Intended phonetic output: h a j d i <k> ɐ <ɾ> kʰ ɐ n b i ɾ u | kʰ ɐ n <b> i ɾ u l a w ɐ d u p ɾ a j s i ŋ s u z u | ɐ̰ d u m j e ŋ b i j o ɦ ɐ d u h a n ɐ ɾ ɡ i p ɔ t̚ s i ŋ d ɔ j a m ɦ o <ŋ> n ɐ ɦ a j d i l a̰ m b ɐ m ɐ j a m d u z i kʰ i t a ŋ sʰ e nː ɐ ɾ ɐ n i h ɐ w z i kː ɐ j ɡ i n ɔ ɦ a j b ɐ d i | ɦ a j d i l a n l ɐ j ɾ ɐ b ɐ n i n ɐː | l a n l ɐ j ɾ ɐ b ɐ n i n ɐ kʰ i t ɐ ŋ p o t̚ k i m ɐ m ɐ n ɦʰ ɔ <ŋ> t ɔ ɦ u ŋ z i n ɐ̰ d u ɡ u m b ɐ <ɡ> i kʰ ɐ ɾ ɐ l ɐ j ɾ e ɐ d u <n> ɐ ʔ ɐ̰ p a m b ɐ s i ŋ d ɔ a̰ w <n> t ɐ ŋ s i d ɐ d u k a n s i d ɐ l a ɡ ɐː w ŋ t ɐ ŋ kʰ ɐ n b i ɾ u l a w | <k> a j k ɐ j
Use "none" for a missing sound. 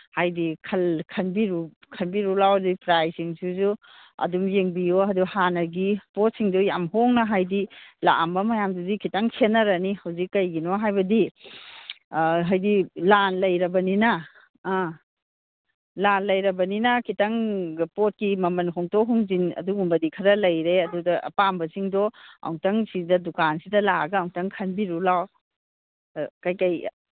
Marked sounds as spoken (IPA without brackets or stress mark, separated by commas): kʰ, l, b, ŋ, ŋ, d, d, ŋ, k